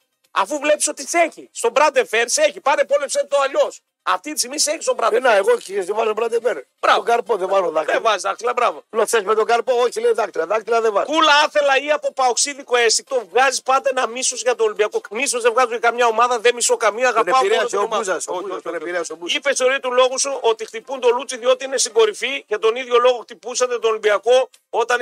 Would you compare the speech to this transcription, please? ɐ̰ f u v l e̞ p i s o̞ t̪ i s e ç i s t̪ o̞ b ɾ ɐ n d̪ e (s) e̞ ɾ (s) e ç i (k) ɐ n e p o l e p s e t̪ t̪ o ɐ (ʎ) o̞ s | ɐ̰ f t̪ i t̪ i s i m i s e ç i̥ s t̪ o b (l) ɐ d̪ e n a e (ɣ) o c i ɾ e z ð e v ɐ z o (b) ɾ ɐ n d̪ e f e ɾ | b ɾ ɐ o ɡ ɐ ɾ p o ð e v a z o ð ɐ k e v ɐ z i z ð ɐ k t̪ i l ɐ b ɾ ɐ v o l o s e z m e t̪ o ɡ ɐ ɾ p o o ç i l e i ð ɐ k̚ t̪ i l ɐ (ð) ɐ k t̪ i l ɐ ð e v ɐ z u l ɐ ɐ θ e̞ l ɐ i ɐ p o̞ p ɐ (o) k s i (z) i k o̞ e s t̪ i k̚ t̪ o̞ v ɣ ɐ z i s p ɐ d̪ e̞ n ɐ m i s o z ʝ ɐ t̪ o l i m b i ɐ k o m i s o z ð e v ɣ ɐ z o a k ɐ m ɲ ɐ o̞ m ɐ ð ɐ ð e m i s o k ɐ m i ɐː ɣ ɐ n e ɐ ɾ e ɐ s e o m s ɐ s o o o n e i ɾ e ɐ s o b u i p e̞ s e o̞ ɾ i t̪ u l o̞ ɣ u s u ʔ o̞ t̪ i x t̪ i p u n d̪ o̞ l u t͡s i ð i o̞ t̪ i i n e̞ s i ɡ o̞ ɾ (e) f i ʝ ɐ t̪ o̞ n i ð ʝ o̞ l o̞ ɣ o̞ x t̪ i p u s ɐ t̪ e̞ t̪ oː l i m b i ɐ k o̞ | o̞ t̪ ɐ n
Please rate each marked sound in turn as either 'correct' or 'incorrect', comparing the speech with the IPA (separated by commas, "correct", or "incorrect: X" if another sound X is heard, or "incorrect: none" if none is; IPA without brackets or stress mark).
incorrect: f, correct, incorrect: p, correct, incorrect: ɾ, correct, correct, correct, correct, incorrect: ð, incorrect: i